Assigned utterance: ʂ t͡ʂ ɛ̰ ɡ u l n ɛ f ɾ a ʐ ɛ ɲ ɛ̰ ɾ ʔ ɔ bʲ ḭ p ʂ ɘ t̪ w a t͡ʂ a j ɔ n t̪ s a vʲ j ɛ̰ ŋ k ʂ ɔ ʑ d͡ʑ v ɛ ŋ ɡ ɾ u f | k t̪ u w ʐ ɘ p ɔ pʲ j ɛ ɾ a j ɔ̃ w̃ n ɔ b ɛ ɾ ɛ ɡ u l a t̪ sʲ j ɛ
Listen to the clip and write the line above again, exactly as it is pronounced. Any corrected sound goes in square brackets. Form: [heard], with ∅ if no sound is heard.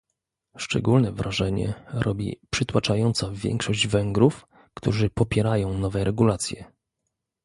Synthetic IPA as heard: ʂ t͡ʂ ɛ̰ ɡ u l n ɛ [v] ɾ a ʐ ɛ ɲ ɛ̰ ɾ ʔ ɔ bʲ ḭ p ʂ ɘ t̪ w a t͡ʂ a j ɔ n t̪ s a vʲ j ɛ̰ ŋ k ʂ ɔ ʑ d͡ʑ v ɛ ŋ ɡ ɾ u f | k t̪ u [∅] ʐ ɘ p ɔ pʲ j ɛ ɾ a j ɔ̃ w̃ n ɔ [v] ɛ ɾ ɛ ɡ u l a t̪ sʲ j ɛ